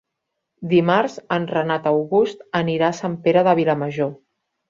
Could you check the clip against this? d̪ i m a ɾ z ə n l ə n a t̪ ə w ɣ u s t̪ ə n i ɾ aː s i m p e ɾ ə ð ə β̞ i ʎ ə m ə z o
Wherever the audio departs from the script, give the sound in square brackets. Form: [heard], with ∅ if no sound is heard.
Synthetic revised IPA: d̪ i m a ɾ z ə n [r] ə n a t̪ ə w ɣ u s t̪ ə n i ɾ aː s [a] m p e ɾ ə ð ə β̞ i [l] ə m ə [ʒ] o